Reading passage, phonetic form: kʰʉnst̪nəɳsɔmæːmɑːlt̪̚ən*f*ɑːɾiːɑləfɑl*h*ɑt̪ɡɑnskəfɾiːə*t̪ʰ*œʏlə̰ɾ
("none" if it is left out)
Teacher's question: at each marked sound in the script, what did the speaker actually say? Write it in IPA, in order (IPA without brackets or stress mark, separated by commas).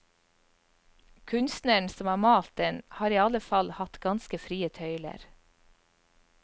h, h, t̪ʰ